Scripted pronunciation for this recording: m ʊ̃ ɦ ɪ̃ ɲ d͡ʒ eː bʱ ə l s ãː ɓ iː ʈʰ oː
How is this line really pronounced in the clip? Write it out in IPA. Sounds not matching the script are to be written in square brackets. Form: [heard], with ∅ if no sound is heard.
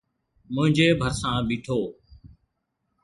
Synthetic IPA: m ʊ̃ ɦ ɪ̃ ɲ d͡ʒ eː bʱ ə [ɾ] s ãː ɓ iː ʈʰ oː